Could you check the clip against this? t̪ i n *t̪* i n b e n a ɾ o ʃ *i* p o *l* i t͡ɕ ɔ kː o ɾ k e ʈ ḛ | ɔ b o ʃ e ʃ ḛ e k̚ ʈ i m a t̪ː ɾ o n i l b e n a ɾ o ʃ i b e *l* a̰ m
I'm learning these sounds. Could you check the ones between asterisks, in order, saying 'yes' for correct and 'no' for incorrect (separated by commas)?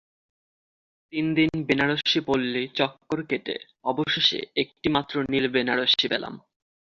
no, yes, no, yes